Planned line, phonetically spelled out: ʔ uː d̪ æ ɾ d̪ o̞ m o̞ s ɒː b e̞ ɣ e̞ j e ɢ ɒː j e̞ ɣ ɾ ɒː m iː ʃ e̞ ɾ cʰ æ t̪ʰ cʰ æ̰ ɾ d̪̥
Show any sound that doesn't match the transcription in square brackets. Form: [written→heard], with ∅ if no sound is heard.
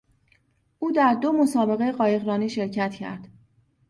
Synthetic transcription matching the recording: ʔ uː d̪ æ ɾ d̪ o̞ m o̞ s ɒː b e̞ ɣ e̞ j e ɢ ɒː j e̞ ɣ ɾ ɒː [m→n] iː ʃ e̞ ɾ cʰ æ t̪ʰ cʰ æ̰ ɾ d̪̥